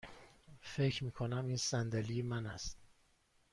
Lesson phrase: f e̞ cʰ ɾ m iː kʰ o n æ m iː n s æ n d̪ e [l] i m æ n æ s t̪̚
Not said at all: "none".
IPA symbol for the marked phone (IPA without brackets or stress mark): l